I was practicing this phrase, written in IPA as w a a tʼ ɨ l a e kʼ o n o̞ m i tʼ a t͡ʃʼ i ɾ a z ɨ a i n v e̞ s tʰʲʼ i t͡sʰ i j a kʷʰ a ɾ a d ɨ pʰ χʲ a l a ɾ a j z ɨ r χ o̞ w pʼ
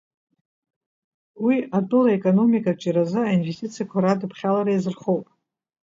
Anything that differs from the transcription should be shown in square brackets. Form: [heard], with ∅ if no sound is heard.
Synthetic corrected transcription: w [i] a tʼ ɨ l a e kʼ o n o̞ m i [kʼ] a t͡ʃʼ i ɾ a z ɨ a i n v e̞ s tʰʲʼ i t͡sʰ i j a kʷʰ a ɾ a d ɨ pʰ χʲ a l a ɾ a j z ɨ r χ o̞ w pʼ